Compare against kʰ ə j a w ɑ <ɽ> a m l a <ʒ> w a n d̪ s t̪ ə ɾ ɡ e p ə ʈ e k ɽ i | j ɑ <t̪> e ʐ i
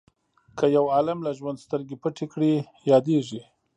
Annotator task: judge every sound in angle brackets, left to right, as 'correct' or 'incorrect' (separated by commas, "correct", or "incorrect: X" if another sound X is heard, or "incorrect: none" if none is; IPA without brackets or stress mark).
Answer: incorrect: l, correct, incorrect: d̪